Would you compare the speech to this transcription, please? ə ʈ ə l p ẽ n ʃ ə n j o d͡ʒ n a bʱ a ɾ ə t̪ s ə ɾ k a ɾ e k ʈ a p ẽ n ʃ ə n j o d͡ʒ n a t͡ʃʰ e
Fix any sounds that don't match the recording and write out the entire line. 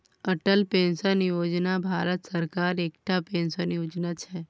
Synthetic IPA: ə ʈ ə l p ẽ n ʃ ə n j o d͡ʒ n a bʱ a ɾ ə t̪ s ə ɾ k a ɾ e k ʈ a p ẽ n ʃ ə n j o d͡ʒ n a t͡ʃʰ e

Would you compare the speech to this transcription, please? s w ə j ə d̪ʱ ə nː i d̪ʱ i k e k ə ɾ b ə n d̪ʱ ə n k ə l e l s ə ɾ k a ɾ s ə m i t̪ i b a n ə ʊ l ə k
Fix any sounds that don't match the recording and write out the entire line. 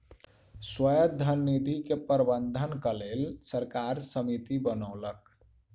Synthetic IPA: s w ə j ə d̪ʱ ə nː i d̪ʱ i k e p ə ɾ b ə n d̪ʱ ə n k ə l e l s ə ɾ k a ɾ s ə m i t̪ i b ə n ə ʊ l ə k

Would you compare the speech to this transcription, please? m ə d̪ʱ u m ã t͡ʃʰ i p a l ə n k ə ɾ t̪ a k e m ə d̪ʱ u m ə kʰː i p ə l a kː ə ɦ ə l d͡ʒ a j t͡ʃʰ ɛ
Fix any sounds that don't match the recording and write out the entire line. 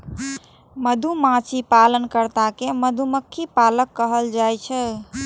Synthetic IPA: m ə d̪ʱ u m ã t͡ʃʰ i p a l ə n k ə ɾ t̪ a k e m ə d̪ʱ u m ə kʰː i p a l ə kː ə ɦ ə l d͡ʒ a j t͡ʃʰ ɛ

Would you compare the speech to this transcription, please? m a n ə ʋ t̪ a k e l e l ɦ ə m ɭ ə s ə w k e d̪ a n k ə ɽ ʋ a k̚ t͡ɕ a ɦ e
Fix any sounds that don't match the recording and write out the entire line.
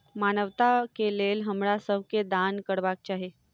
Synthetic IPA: m a n ə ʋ t̪ a k e l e l ɦ ə m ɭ a s ə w k e d̪ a n k ə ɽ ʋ a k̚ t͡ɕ a ɦ e

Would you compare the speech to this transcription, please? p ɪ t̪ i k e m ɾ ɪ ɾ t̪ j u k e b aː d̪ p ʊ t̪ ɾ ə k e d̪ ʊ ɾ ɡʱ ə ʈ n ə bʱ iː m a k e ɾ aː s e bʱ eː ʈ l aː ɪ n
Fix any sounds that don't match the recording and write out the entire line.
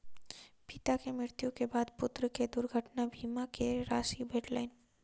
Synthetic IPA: p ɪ t̪ a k e m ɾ ɪ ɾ t̪ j u k e b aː d̪ p ʊ t̪ ɾ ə k e d̪ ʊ ɾ ɡʱ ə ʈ n a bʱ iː m a k e ɾ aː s i bʱ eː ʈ l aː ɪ n

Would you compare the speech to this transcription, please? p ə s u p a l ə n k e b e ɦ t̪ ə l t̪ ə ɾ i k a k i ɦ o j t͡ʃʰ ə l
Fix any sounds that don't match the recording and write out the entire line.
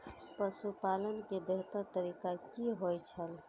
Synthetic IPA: p ə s u p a l ə n k e b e ɦ t̪ ə ɾ t̪ ə ɾ i k a k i ɦ o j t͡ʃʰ ə l

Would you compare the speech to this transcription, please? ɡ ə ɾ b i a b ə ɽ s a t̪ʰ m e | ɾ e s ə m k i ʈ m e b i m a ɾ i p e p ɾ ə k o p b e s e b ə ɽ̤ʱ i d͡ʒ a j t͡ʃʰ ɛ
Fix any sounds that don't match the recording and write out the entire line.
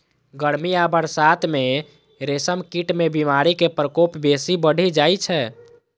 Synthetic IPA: ɡ ə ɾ m i a b ə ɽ s a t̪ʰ m e | ɾ e s ə m k i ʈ m e b i m a ɾ i k e p ɾ ə k o p b e s i b ə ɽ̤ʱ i d͡ʒ a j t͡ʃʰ ɛ

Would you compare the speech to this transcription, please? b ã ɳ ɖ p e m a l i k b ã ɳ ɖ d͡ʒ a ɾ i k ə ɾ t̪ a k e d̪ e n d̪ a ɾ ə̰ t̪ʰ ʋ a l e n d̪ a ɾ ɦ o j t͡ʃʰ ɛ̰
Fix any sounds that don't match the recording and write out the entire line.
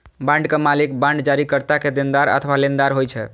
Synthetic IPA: b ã ɳ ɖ k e m a l i k b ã ɳ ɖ d͡ʒ a ɾ i k ə ɾ t̪ a k e d̪ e n d̪ a ɾ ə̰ t̪ʰ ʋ a l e n d̪ a ɾ ɦ o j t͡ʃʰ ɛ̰

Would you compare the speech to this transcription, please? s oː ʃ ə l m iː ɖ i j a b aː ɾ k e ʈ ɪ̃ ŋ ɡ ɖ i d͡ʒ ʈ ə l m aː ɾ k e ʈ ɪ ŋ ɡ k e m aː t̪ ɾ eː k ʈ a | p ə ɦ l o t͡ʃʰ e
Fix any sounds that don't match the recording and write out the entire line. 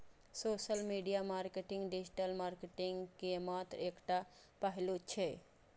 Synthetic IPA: s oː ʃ ə l m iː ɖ i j a m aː ɾ k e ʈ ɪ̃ ŋ ɡ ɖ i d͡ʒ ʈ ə l m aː ɾ k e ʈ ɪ ŋ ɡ k e m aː t̪ ɾ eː k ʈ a | p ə ɦ l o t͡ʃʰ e

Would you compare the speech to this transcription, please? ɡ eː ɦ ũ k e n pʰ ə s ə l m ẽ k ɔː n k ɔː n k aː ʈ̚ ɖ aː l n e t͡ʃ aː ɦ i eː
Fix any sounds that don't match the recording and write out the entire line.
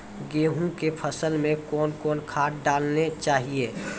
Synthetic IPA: ɡ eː ɦ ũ k e pʰ ə s ə l m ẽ k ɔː n k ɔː n kʰ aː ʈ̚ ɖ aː l n e t͡ʃ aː ɦ i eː

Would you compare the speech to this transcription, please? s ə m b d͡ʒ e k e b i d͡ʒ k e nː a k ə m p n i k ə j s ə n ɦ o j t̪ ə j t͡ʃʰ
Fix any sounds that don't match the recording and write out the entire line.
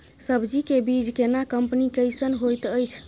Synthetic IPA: s ə b d͡ʒ i k e b i d͡ʒ k e n a k ə m p n i k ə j s ə n ɦ o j t̪ ə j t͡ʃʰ

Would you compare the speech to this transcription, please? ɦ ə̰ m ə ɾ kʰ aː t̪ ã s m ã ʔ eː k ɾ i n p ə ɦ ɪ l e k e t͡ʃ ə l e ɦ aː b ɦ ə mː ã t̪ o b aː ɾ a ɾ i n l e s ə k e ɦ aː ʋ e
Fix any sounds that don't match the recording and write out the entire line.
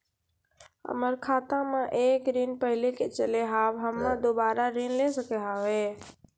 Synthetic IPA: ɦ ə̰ m ə ɾ kʰ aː t̪ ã m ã ʔ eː k ɾ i n p ə ɦ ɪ l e k e t͡ʃ ə l e ɦ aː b ɦ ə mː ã d̪ o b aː ɾ a ɾ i n l e s ə k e ɦ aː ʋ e

